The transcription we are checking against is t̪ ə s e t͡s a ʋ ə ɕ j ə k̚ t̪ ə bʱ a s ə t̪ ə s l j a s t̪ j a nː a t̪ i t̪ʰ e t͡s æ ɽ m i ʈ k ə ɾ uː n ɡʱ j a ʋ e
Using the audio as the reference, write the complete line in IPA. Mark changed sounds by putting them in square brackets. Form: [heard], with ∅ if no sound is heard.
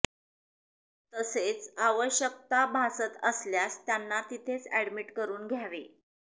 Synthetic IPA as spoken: t̪ ə s e t͡s a ʋ ə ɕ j ə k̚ t̪ [a] bʱ a s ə t̪ ə s l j a s t̪ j a nː a t̪ i t̪ʰ e t͡s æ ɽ m i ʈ k ə ɾ uː n ɡʱ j a ʋ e